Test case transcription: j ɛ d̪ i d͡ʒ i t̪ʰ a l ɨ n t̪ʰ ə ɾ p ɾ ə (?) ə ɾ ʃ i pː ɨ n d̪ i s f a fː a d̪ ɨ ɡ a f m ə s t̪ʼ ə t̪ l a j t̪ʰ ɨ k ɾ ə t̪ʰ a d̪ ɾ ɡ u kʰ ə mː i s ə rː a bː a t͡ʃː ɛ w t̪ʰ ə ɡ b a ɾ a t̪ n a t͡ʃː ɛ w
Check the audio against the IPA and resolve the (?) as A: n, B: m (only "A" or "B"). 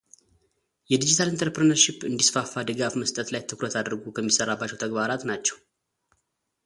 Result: A